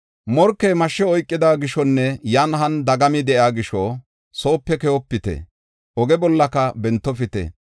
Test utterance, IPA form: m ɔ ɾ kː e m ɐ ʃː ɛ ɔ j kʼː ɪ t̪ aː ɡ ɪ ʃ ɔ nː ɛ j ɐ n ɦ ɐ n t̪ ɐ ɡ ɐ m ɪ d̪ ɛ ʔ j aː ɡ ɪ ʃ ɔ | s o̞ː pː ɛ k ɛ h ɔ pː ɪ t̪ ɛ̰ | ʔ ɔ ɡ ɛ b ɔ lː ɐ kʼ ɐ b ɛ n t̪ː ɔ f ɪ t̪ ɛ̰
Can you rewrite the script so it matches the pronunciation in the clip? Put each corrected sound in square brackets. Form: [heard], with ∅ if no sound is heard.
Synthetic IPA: m ɔ ɾ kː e m ɐ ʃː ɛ ɔ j kʼː ɪ [d̪] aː ɡ ɪ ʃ ɔ nː ɛ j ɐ n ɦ ɐ n [d̪] ɐ ɡ ɐ m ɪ d̪ ɛ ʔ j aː ɡ ɪ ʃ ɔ | s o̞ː pː ɛ k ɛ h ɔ pː ɪ t̪ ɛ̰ | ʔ ɔ ɡ ɛ b ɔ lː ɐ [k] ɐ b ɛ n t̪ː ɔ f ɪ t̪ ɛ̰